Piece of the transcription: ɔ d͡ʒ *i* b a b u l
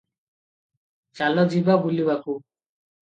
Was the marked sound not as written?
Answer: no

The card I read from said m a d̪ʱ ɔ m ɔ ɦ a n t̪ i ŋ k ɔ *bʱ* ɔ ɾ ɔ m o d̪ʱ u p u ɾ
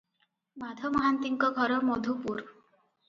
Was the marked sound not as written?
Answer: yes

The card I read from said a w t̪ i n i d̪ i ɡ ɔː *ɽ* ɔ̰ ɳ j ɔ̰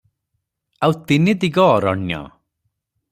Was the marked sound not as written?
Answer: yes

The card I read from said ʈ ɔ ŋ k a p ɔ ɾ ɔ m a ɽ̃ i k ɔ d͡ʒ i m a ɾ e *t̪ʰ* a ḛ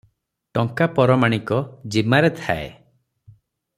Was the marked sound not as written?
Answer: no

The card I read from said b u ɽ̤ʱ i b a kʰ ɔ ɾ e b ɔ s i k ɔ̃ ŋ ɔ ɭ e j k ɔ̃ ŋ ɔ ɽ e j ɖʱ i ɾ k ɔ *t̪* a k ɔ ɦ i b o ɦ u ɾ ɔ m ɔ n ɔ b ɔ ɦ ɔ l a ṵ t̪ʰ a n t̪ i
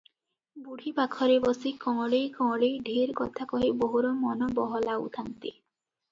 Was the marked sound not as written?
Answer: yes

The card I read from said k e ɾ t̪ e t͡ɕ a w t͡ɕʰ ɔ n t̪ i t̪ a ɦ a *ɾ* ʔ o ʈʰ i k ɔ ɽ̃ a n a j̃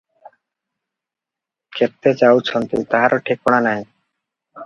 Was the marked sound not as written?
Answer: no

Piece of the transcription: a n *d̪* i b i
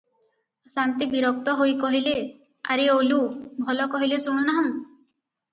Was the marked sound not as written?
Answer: yes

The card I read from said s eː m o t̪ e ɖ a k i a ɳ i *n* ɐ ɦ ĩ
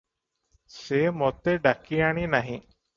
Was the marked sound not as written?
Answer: no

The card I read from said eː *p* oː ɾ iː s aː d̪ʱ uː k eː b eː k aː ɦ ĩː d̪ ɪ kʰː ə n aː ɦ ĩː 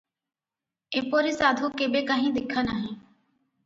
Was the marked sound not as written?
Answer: no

